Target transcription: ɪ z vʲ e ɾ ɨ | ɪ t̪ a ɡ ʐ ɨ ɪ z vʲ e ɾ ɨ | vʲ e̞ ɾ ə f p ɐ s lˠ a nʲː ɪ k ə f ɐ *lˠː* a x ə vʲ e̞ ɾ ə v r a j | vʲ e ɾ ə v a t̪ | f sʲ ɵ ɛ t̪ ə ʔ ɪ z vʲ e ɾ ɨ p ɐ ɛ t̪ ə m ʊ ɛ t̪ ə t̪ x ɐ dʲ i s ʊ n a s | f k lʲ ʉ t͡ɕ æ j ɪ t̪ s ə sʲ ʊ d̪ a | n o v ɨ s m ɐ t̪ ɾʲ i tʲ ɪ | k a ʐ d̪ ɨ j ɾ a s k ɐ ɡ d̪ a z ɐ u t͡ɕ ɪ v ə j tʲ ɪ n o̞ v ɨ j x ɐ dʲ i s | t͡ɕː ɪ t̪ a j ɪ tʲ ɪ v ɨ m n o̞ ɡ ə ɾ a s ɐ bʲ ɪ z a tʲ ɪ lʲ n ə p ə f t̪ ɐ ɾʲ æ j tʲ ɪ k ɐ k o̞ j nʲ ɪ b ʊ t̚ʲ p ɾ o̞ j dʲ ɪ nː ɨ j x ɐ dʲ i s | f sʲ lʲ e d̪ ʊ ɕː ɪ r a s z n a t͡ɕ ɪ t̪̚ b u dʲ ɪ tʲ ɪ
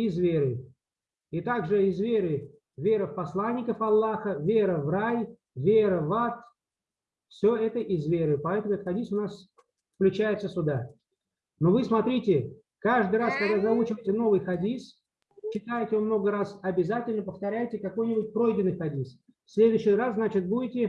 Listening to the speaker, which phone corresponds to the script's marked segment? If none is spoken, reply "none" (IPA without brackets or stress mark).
lˠː